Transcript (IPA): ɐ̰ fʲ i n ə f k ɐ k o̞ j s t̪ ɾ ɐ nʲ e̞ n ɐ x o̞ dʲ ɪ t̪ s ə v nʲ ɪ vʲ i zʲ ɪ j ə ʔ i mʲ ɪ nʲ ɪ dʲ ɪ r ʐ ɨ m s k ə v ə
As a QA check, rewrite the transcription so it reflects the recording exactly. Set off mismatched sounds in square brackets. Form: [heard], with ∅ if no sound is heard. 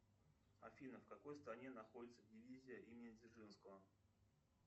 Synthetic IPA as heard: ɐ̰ fʲ i n ə f k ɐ k o̞ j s t̪ ɾ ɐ nʲ e̞ n ɐ x o̞ dʲ ɪ t̪ s ə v [dʲ] ɪ vʲ i zʲ ɪ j ə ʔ i mʲ ɪ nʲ ɪ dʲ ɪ r ʐ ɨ [n] s k ə v ə